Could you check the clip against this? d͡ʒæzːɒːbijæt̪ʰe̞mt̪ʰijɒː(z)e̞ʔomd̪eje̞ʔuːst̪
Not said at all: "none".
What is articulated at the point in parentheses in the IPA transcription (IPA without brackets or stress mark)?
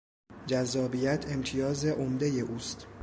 z